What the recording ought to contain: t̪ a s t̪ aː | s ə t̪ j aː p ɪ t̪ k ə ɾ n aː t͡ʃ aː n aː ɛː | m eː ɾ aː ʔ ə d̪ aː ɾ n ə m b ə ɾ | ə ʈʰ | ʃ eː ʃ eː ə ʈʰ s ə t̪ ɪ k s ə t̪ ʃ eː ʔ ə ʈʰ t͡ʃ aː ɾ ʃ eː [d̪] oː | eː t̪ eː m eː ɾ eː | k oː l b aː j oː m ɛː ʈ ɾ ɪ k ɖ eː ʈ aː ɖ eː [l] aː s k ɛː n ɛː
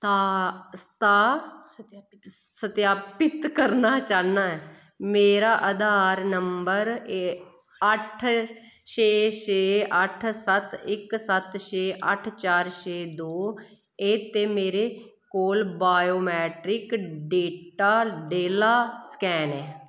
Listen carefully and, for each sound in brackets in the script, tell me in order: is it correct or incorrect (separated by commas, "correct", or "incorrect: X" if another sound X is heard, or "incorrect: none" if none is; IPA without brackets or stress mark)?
correct, correct